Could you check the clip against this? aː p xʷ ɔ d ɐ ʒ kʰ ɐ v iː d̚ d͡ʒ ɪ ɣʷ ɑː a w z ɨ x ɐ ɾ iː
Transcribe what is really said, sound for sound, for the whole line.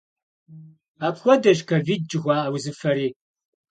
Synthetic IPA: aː p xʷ ɔ d ɐ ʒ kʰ ɐ v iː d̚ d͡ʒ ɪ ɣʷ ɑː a w z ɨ f ɐ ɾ iː